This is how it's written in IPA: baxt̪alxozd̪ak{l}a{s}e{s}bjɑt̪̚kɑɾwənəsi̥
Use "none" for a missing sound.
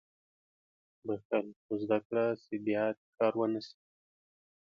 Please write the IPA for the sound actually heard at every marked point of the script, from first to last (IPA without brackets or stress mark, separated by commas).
ɽ, s, none